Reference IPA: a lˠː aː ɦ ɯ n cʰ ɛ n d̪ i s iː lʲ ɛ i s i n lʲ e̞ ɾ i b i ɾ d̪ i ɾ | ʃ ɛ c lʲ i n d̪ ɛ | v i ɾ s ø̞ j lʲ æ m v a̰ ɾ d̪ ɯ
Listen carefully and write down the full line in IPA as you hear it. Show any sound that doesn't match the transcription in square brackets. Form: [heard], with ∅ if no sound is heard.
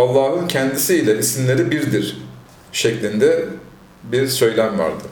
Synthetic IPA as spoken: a lˠː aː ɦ ɯ n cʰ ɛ n d̪ i s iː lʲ ɛ i s i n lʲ e̞ ɾ i b i ɾ d̪ i ɾ | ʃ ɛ c lʲ i n d̪ ɛ | [b] i ɾ s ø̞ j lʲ æ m v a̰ ɾ d̪ ɯ